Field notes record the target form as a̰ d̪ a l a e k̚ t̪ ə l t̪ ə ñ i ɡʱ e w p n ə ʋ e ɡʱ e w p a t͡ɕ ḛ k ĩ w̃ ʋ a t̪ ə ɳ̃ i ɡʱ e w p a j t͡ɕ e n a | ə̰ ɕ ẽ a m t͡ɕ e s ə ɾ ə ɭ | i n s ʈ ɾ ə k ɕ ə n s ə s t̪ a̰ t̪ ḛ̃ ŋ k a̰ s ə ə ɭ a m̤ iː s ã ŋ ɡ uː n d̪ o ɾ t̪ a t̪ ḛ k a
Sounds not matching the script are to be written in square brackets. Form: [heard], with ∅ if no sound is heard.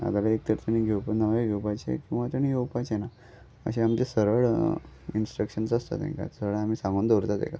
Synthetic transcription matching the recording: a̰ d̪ a l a e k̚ t̪ ə [ɾ] t̪ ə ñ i ɡʱ e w p n ə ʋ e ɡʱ e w p a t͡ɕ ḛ k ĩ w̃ ʋ a t̪ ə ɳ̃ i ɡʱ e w p a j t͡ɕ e n a | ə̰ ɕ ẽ a m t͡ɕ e s ə ɾ ə ɭ | i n s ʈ ɾ ə k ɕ ə n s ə s t̪ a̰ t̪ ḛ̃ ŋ k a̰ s ə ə ɭ a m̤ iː s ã ŋ ɡ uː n d̪ o ɾ t̪ a t̪ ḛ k a